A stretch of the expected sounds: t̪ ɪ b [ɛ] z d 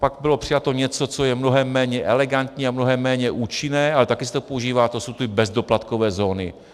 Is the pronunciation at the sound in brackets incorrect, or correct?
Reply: correct